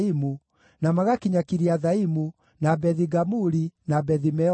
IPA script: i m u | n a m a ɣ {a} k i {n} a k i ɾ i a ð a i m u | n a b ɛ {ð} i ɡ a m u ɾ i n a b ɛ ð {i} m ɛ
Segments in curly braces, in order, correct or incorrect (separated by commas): correct, incorrect, correct, correct